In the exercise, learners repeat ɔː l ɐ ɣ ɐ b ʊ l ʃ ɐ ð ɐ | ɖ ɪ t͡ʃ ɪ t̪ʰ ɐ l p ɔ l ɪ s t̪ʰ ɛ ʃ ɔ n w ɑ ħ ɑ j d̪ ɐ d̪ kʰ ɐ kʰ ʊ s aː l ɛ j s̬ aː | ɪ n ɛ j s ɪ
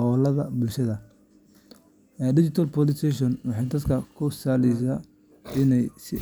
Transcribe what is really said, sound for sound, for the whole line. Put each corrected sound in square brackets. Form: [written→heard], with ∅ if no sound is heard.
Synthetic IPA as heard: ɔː l ɐ [ɣ→ð] ɐ b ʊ l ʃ ɐ ð ɐ | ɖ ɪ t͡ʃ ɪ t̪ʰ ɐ l p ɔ l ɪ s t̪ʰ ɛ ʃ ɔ n w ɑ ħ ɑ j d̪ ɐ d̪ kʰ ɐ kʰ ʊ s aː l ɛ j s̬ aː | ɪ n ɛ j s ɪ